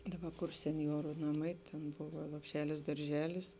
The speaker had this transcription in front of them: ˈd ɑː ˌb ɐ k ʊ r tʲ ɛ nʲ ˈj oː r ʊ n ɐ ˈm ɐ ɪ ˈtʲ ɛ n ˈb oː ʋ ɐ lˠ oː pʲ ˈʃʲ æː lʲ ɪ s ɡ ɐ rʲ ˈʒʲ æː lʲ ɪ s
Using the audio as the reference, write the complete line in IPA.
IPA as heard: ˈd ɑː ˌb ɐ k ʊ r sʲ ɛ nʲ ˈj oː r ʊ n ɐ ˈm ɐ ɪ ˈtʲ ɛ n ˈb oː ʋ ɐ lˠ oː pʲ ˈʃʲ æː lʲ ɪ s d ɐ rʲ ˈʒʲ æː lʲ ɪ s